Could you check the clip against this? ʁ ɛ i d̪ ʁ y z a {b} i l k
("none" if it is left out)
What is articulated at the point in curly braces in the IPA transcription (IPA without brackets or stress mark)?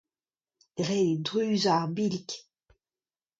b